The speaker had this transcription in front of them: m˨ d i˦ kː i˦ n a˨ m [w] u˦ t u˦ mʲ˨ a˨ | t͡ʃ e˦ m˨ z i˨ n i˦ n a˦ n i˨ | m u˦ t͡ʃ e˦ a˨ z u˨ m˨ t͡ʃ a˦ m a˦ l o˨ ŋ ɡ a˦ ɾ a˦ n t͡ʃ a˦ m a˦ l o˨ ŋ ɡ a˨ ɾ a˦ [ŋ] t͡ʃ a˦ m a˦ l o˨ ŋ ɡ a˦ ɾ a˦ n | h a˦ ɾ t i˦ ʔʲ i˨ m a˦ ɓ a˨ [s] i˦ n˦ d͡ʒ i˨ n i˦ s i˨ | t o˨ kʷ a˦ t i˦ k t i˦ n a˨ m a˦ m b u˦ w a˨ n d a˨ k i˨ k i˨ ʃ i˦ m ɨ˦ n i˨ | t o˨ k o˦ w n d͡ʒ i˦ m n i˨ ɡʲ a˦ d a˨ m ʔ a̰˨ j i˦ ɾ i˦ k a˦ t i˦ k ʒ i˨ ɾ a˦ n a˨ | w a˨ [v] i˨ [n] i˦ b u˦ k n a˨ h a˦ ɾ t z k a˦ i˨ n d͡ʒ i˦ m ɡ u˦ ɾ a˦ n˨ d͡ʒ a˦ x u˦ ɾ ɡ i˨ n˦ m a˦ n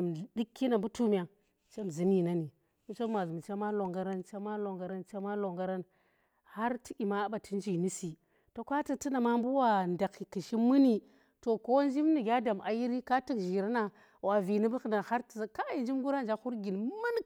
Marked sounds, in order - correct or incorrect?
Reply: incorrect: b, incorrect: n, incorrect: t, correct, correct

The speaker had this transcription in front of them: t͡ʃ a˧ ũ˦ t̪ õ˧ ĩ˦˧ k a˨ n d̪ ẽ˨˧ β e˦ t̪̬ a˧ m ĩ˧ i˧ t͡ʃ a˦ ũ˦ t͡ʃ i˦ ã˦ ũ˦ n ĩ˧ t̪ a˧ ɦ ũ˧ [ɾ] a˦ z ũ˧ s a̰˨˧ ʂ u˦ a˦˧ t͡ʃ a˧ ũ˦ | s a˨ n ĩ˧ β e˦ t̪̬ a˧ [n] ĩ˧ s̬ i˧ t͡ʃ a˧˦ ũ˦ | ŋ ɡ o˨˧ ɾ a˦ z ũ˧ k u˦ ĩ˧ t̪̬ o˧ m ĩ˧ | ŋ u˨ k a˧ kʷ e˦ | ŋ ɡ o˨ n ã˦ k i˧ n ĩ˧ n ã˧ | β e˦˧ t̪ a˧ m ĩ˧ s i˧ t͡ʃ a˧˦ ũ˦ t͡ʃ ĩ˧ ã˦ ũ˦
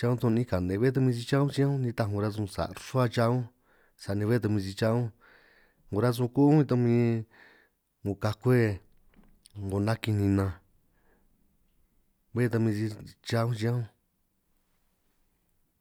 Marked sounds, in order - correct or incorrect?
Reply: correct, incorrect: m

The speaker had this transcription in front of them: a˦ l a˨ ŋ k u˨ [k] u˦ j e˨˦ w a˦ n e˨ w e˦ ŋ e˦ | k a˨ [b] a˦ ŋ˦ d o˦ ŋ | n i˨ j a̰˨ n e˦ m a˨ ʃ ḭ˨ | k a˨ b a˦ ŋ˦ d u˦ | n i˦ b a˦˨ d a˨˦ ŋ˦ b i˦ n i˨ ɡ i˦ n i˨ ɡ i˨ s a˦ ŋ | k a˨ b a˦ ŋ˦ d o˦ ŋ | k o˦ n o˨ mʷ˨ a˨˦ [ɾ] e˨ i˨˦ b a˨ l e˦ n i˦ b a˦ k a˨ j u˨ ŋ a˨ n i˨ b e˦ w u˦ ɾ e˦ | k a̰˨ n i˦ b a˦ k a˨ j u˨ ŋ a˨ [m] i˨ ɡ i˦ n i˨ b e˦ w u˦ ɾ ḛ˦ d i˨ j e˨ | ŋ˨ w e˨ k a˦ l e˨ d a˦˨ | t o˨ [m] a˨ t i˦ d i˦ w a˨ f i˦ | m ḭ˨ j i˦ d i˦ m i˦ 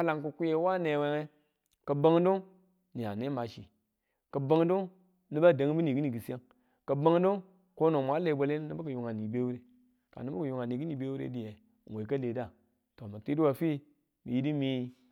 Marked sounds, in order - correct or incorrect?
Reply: correct, correct, incorrect: l, incorrect: n, correct

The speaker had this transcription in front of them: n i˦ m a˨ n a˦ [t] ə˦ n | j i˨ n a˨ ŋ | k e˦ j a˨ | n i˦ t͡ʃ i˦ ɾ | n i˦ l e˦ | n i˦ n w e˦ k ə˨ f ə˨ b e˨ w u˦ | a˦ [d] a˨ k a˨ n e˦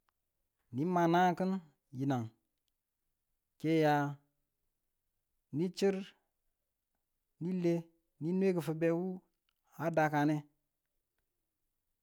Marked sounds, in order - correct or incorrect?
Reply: incorrect: k, correct

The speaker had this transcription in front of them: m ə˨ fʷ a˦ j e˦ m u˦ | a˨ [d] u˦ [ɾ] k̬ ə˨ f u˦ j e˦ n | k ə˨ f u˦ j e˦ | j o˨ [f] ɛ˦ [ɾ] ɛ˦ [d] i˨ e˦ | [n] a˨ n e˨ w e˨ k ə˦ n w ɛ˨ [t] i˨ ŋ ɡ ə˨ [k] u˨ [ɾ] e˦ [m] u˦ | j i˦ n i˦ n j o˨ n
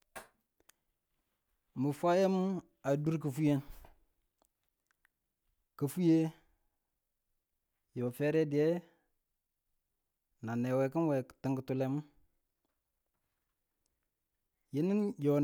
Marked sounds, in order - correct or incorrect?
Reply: correct, correct, correct, correct, correct, correct, correct, incorrect: t, incorrect: l, correct

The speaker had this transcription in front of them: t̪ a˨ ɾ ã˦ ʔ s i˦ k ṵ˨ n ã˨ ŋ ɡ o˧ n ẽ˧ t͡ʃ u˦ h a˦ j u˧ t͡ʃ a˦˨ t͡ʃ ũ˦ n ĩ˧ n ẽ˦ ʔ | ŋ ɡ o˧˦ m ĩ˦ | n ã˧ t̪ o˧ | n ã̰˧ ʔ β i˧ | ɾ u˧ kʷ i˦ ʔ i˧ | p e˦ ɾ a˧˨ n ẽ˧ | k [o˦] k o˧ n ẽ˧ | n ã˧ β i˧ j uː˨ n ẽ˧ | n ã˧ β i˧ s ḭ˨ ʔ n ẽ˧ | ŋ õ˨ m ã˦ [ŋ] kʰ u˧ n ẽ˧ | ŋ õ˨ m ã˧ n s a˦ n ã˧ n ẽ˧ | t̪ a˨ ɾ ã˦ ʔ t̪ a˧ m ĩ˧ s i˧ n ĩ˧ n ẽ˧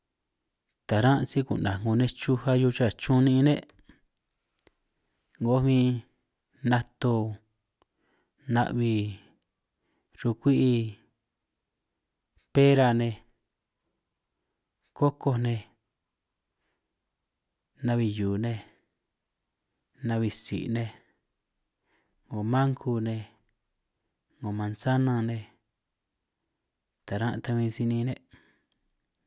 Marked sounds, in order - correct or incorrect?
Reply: correct, correct

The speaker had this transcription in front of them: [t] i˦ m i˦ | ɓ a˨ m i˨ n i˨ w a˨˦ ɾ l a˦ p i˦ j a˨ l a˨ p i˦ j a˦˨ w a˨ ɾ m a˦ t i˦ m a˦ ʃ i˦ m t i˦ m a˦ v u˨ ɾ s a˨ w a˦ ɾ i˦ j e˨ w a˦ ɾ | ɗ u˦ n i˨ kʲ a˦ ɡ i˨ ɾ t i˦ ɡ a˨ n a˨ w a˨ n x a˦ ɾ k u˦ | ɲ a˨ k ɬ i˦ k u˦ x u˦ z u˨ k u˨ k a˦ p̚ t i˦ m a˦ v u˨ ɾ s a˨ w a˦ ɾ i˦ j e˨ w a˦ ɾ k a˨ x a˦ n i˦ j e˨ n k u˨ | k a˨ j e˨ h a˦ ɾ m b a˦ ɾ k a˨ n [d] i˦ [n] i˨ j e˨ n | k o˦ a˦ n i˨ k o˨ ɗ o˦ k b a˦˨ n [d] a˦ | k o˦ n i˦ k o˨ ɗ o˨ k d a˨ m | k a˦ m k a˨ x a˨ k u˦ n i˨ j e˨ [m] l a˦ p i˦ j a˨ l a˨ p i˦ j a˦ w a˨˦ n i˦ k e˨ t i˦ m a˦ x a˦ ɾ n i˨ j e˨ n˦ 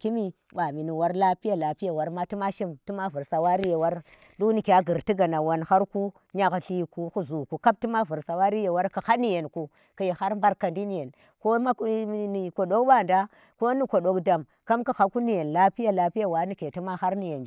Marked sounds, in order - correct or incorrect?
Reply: incorrect: k, correct, correct, correct, incorrect: n

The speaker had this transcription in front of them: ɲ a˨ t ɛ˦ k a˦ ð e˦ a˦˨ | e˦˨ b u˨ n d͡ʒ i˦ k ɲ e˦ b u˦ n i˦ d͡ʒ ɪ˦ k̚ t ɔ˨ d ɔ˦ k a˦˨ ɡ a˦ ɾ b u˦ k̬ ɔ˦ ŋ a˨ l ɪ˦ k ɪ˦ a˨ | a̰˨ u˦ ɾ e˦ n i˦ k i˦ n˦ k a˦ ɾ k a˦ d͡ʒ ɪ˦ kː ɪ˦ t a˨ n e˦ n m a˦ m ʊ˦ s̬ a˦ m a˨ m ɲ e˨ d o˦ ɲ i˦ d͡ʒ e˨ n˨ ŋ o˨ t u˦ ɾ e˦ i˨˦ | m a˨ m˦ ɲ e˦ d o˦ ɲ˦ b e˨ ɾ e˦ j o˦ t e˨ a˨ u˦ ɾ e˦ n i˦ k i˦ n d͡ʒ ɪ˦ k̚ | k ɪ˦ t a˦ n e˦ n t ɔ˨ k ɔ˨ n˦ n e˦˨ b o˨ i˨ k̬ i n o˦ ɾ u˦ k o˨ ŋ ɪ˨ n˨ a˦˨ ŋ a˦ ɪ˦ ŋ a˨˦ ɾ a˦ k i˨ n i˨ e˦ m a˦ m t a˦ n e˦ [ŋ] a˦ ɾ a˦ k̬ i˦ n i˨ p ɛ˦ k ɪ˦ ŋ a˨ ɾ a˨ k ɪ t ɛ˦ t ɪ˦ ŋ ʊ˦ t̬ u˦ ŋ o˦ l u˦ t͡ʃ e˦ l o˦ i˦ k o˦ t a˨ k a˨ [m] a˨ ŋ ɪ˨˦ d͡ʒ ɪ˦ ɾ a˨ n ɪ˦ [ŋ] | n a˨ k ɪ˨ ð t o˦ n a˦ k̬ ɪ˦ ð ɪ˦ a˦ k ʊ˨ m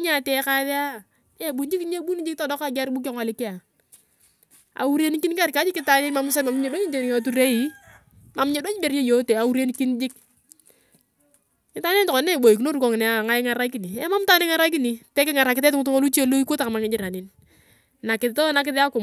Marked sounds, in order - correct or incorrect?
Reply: correct, correct, incorrect: n

